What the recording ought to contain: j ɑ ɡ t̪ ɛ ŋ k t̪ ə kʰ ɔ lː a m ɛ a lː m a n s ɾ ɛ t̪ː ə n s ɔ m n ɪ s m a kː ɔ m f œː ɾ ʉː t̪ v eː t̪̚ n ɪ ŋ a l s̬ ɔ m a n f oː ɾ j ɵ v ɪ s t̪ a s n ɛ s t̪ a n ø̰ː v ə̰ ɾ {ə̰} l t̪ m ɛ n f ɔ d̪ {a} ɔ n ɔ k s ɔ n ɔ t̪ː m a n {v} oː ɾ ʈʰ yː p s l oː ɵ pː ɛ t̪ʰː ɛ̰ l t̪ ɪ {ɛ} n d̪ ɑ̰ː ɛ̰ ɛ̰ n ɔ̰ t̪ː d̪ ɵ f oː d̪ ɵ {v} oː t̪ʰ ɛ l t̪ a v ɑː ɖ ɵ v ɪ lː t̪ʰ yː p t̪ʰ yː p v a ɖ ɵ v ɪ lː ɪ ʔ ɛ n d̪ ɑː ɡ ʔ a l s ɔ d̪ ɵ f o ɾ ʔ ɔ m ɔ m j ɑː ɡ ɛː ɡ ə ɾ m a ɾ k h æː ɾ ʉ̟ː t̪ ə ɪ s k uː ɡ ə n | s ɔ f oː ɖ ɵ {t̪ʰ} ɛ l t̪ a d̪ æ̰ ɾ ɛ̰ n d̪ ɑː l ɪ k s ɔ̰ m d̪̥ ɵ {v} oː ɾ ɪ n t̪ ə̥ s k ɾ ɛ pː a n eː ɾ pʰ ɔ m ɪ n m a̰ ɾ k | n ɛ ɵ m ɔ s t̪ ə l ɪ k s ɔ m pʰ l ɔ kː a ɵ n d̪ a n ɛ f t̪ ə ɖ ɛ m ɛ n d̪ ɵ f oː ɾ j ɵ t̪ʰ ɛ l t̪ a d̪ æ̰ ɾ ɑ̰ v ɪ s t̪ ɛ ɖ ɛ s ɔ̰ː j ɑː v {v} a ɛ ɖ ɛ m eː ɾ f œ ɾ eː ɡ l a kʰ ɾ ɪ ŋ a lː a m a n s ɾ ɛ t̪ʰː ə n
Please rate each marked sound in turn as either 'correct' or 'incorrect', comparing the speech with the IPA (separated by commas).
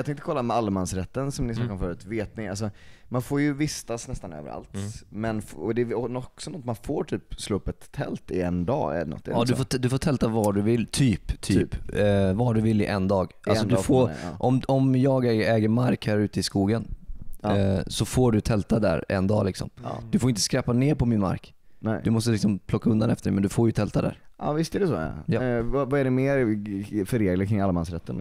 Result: incorrect, incorrect, incorrect, correct, incorrect, correct, incorrect, correct